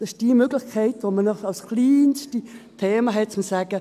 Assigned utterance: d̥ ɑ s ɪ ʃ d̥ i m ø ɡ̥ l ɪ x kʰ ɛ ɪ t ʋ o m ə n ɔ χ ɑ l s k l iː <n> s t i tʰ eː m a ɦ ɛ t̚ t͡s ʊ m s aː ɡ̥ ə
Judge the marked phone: correct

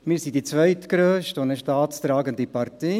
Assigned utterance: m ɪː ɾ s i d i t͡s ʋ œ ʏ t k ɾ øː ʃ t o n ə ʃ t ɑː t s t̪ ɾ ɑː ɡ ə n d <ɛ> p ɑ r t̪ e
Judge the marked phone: incorrect: i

